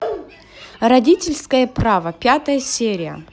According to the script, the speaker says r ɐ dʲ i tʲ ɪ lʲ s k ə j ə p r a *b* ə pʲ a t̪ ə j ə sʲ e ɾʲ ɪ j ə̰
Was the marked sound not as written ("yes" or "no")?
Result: yes